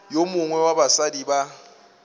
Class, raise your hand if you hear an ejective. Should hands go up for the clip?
no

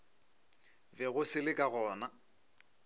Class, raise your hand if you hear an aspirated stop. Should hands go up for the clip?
no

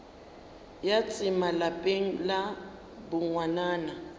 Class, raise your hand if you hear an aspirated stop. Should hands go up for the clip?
no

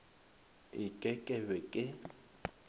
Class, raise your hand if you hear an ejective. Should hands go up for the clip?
yes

